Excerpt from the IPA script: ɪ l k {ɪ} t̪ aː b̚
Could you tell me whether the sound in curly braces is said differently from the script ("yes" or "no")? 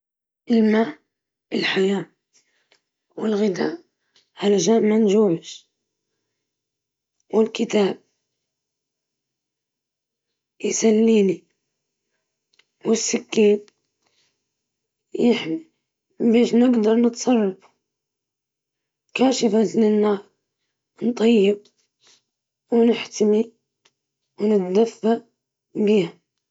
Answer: no